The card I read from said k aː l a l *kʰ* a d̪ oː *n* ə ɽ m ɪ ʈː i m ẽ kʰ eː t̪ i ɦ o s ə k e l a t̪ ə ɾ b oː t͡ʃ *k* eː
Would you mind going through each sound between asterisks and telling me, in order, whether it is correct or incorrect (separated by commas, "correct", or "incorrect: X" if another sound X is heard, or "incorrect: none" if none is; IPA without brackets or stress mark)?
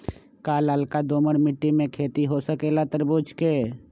incorrect: k, incorrect: m, correct